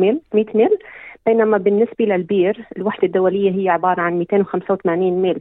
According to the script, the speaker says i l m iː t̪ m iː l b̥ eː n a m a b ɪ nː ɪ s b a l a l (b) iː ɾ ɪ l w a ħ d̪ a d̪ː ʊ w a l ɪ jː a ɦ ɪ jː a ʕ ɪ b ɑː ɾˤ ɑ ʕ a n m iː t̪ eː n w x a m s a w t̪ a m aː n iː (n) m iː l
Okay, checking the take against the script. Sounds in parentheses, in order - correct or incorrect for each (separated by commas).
correct, correct